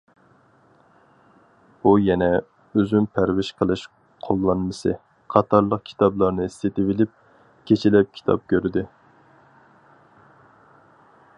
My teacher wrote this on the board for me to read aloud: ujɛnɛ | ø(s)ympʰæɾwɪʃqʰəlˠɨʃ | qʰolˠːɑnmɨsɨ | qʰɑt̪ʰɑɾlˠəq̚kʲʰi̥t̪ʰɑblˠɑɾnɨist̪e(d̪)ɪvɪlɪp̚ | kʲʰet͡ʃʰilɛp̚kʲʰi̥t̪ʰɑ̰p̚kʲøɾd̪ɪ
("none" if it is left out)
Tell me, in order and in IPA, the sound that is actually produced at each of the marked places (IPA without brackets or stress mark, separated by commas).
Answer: z, t̪